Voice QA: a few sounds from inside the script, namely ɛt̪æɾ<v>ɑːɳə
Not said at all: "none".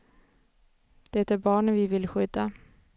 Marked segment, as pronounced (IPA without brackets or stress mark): b